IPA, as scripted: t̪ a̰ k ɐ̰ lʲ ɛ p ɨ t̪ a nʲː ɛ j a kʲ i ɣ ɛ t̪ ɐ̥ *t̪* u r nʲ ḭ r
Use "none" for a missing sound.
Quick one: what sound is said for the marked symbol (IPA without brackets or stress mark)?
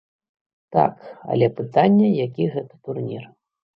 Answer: t̪